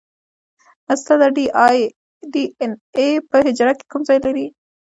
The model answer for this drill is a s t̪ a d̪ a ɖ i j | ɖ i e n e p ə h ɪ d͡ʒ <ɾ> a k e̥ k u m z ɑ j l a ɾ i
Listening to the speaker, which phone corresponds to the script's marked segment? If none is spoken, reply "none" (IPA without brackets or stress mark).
ɾ